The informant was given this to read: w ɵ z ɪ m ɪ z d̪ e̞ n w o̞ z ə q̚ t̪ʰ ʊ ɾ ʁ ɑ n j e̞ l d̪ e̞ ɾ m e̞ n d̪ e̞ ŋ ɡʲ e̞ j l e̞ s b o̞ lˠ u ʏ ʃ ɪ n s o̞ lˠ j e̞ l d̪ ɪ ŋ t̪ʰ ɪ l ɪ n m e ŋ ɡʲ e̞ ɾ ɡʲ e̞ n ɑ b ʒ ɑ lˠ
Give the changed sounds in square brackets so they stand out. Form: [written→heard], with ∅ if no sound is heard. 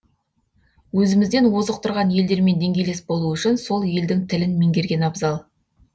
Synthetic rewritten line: w ɵ z ɪ m ɪ z d̪ e̞ n w o̞ z ə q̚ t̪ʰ ʊ ɾ ʁ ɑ n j e̞ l d̪ e̞ ɾ m e̞ n d̪ e̞ ŋ ɡʲ e̞ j l e̞ s b o̞ lˠ u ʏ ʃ ɪ n s o̞ lˠ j e̞ l d̪ ɪ ŋ t̪ʰ ɪ l ɪ n m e ŋ ɡʲ e̞ ɾ ɡʲ e̞ n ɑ b [ʒ→z] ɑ lˠ

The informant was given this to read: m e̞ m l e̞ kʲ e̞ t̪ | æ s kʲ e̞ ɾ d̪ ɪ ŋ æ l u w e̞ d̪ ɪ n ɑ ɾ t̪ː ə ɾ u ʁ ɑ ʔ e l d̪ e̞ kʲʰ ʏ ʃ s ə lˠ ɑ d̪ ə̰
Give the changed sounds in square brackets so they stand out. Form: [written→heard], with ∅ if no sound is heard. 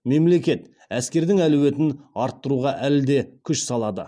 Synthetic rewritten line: m e̞ m l e̞ kʲ e̞ t̪ | æ s kʲ e̞ ɾ d̪ ɪ ŋ æ l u w e̞ [d̪→t̪] ɪ n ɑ ɾ t̪ː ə ɾ u ʁ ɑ ʔ [e→æ] l d̪ e̞ kʲʰ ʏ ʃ s [ə→ɑ] lˠ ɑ d̪ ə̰

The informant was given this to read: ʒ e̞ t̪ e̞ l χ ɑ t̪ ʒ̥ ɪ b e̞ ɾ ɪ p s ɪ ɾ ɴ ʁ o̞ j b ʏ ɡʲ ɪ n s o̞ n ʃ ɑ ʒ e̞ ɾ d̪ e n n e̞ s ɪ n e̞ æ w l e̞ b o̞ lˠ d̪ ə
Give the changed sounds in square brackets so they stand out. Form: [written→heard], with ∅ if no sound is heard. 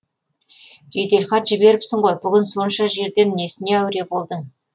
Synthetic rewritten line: ʒ e̞ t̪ e̞ l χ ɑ t̪ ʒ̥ ɪ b e̞ ɾ ɪ p s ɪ [ɾ→∅] ɴ ʁ o̞ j b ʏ ɡʲ ɪ n s o̞ n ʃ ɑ ʒ e̞ ɾ d̪ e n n e̞ s ɪ n e̞ æ w [l→ɾ] e̞ b o̞ lˠ d̪ ə

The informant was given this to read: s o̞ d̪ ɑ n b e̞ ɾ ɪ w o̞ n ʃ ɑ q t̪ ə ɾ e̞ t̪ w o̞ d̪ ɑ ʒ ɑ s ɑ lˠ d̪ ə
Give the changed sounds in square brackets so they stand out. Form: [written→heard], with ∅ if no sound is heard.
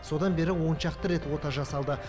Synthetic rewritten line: s o̞ d̪ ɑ n b e̞ ɾ ɪ w o̞ n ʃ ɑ q t̪ ə ɾ e̞ t̪ w o̞ [d̪→t̪] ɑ ʒ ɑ s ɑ lˠ d̪ ə

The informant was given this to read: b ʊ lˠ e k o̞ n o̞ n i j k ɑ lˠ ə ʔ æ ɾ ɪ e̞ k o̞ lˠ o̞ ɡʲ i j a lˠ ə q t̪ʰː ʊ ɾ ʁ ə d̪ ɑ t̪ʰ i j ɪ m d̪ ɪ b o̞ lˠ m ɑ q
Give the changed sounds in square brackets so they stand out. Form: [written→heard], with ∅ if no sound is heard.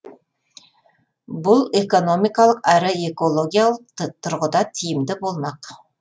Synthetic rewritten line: b ʊ lˠ e k o̞ n o̞ [n→m] i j k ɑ lˠ ə [ʔ→q] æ ɾ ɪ e̞ k o̞ lˠ o̞ ɡʲ i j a lˠ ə q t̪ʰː ʊ ɾ ʁ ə d̪ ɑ t̪ʰ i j ɪ m d̪ ɪ b o̞ lˠ m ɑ q

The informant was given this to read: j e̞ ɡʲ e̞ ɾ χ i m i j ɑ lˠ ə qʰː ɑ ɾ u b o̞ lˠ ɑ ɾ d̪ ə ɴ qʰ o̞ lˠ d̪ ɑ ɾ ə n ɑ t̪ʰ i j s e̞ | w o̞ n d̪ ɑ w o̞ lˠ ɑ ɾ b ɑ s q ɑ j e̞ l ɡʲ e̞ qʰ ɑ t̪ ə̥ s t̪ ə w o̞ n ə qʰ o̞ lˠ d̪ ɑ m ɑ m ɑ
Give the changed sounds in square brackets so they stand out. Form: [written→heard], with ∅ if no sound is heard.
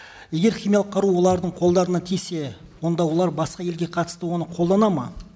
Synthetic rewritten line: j e̞ ɡʲ e̞ ɾ χ i m i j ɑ lˠ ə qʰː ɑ ɾ u [b→w] o̞ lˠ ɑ ɾ d̪ ə ɴ qʰ o̞ lˠ d̪ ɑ ɾ ə n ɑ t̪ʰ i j s e̞ | w o̞ n d̪ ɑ w o̞ lˠ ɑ ɾ b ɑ s q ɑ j e̞ l ɡʲ e̞ qʰ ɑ t̪ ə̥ s t̪ ə w o̞ n ə qʰ o̞ lˠ d̪ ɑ [m→n] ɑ m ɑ

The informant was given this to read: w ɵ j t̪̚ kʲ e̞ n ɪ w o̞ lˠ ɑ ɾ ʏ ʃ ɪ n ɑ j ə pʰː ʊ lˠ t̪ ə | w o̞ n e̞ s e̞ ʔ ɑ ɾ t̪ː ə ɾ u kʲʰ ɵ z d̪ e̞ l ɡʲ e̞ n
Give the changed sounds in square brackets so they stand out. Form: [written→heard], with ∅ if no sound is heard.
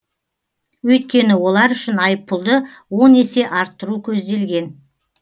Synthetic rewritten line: w ɵ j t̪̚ kʲ e̞ n ɪ w o̞ lˠ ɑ ɾ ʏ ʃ ɪ n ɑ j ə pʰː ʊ lˠ [t̪→d̪] ə | w o̞ n e̞ s e̞ ʔ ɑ ɾ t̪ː ə ɾ u kʲʰ ɵ z d̪ e̞ l ɡʲ e̞ n

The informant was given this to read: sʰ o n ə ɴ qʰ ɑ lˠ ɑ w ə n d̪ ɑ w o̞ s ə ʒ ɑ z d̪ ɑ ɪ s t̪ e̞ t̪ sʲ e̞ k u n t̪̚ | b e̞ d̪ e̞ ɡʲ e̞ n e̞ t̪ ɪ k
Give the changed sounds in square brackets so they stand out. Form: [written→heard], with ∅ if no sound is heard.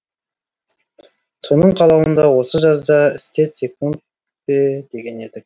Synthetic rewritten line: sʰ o n ə ɴ qʰ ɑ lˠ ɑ w ə n d̪ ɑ w o̞ s ə ʒ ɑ z d̪ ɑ ɪ s t̪ e̞ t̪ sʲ e̞ k u n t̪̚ | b e̞ d̪ e̞ ɡʲ e̞ n e̞ [t̪→d̪] ɪ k

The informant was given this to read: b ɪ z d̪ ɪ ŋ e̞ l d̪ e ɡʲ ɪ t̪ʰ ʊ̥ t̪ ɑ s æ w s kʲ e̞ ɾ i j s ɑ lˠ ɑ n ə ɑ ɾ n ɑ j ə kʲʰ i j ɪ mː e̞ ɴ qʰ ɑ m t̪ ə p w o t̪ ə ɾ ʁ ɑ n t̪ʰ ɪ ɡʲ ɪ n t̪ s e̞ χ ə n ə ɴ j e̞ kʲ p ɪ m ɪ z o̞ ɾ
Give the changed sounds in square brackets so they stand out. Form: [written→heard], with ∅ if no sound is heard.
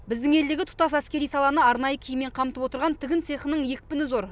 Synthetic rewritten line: b ɪ z d̪ ɪ ŋ e̞ l d̪ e ɡʲ ɪ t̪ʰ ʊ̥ t̪ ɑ s æ [w→∅] s kʲ e̞ ɾ i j s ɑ lˠ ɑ n ə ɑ ɾ n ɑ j ə kʲʰ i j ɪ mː e̞ ɴ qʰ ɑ m t̪ ə p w o t̪ ə ɾ ʁ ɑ n t̪ʰ ɪ ɡʲ ɪ n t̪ s e̞ χ ə n ə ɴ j e̞ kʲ p ɪ [m→n] ɪ z o̞ ɾ

